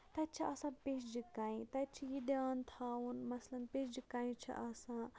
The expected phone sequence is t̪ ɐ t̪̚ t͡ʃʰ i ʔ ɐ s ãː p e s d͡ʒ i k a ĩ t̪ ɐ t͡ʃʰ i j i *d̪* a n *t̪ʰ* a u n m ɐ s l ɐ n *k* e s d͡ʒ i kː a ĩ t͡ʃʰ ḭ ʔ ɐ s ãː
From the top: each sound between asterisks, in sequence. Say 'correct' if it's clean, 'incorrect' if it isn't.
correct, correct, incorrect

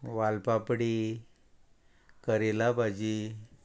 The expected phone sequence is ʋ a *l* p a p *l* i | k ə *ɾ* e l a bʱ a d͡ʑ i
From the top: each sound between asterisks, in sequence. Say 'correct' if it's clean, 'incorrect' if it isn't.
correct, incorrect, correct

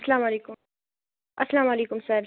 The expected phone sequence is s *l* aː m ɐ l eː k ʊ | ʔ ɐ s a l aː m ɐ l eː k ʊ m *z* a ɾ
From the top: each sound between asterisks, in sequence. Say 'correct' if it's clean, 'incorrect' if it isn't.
correct, incorrect

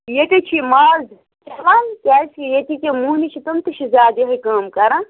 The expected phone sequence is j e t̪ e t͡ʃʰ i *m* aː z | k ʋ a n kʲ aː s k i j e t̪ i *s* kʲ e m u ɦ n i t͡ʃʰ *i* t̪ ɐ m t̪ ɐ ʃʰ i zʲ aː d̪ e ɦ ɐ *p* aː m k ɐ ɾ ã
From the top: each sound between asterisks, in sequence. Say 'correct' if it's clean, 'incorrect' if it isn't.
correct, incorrect, correct, incorrect

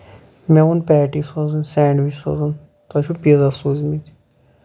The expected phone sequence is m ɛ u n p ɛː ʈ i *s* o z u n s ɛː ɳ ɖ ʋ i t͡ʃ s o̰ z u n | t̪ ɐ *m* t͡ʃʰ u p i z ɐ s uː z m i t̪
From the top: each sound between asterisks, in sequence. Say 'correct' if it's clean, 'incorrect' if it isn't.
correct, incorrect

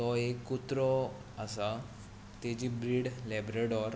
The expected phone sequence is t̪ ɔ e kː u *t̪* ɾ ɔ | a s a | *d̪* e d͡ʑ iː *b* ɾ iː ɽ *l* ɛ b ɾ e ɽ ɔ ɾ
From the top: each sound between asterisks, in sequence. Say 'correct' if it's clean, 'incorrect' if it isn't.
correct, incorrect, correct, correct

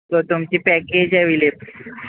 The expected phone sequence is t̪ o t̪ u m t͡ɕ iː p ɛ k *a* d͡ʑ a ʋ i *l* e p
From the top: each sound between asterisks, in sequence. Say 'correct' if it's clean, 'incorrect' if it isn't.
incorrect, correct

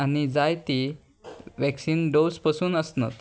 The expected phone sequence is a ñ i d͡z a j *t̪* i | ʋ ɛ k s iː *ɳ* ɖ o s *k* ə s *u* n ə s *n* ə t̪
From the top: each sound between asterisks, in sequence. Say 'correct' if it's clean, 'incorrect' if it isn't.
correct, incorrect, incorrect, incorrect, correct

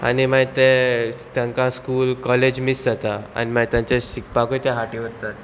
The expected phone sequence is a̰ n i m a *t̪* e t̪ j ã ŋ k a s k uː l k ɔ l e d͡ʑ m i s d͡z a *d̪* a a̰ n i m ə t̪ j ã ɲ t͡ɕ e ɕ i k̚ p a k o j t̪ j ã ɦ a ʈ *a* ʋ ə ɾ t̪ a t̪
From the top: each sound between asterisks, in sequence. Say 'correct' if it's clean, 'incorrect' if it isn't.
correct, incorrect, incorrect

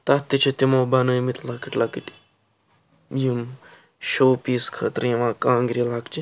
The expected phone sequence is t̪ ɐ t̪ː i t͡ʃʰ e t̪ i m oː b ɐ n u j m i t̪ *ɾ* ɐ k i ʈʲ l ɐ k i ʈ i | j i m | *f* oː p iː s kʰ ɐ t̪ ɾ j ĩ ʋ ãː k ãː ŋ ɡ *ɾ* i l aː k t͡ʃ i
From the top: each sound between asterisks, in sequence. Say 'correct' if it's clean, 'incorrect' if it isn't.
incorrect, incorrect, correct

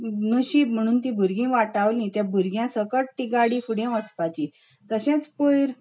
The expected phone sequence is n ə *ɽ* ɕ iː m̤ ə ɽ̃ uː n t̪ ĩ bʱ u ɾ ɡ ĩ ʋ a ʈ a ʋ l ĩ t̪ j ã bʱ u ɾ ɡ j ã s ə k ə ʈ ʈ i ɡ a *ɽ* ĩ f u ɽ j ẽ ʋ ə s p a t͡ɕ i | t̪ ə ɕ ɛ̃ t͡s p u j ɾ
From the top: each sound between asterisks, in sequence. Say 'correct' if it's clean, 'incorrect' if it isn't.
incorrect, correct

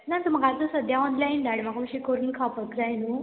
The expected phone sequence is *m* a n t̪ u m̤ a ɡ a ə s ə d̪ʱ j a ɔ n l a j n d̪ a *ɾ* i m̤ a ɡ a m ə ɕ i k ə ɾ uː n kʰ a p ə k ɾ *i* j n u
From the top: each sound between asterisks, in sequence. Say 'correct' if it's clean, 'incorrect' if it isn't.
incorrect, incorrect, incorrect

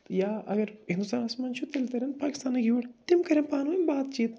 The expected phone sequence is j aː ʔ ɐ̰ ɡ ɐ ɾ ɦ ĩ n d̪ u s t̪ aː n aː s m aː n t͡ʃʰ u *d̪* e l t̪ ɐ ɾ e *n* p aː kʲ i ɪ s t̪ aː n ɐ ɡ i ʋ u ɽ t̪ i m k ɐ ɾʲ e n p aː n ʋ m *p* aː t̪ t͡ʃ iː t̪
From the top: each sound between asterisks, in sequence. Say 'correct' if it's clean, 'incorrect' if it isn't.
incorrect, correct, incorrect

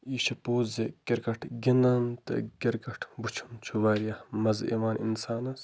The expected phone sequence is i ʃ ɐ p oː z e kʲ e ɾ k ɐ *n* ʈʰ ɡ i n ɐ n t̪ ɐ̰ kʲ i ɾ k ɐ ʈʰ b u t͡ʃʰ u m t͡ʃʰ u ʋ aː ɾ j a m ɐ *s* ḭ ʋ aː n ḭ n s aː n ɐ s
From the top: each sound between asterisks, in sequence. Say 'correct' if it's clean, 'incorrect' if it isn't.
incorrect, incorrect

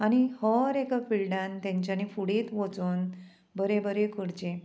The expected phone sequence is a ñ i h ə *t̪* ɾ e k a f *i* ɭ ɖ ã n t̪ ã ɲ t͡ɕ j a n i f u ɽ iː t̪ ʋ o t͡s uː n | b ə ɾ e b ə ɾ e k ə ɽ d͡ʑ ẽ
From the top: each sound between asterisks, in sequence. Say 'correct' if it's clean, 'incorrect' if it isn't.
incorrect, correct

